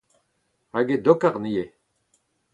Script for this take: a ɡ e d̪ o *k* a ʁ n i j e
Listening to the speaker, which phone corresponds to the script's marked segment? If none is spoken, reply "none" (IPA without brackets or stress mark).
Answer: k